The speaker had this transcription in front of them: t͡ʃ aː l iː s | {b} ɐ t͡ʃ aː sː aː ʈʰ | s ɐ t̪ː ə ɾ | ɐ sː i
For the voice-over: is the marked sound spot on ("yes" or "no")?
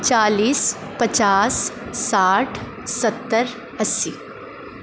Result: no